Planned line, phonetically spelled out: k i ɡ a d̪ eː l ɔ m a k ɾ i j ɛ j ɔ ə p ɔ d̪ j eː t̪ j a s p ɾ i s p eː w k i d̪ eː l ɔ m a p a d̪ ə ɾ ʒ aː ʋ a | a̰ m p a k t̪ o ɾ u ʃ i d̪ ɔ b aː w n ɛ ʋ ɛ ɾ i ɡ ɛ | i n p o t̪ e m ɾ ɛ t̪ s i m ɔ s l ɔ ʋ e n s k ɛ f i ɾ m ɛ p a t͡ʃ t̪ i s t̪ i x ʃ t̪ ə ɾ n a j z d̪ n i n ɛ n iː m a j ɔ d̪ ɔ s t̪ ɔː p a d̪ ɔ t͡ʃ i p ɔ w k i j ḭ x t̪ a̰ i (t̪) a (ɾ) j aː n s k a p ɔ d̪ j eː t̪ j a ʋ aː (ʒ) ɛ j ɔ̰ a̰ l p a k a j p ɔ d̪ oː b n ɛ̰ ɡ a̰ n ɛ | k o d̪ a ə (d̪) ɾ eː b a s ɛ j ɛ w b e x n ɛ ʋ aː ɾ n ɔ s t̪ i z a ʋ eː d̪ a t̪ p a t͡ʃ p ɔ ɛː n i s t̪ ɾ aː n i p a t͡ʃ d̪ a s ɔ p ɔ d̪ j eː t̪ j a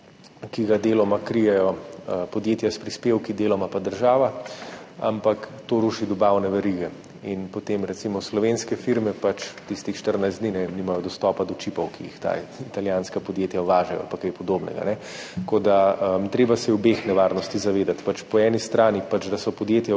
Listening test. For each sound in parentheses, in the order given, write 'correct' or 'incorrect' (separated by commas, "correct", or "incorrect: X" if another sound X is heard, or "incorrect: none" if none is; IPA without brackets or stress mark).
correct, incorrect: l, correct, incorrect: t̪